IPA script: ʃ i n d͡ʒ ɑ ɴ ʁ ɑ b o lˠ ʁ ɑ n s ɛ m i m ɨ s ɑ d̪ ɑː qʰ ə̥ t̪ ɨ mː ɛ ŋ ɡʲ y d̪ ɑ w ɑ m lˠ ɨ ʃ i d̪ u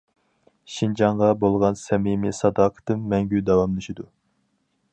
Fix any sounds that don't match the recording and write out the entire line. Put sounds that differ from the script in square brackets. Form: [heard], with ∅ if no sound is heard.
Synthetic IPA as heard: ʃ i n d͡ʒ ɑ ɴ ʁ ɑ b o lˠ ʁ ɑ n s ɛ m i m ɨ s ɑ d̪ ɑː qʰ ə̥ t̪ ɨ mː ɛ ŋ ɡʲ y d̪ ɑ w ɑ m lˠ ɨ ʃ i d̪ u